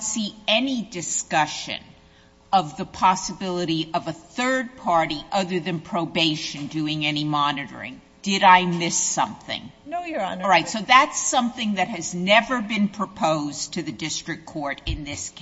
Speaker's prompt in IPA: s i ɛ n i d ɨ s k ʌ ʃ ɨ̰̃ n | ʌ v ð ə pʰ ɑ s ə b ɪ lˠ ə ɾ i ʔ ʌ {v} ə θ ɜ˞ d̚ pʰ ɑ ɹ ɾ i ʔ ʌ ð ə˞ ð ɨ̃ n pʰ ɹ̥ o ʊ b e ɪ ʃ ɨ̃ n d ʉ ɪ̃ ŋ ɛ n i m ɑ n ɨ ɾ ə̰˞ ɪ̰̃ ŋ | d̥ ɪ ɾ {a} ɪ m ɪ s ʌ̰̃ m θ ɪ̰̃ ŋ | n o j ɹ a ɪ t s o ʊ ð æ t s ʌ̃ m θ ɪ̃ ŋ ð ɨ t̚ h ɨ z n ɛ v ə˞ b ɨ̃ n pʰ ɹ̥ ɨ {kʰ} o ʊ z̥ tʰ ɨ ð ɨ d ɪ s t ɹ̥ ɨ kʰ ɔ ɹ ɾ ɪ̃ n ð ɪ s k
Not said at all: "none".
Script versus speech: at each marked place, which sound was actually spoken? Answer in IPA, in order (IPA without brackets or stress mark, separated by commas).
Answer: v, a, pʰ